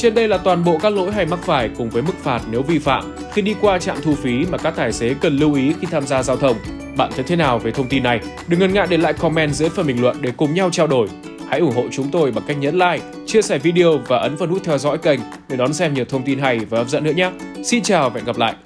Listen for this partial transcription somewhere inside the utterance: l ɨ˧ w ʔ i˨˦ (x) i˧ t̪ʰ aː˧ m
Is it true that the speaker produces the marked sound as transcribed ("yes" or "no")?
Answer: yes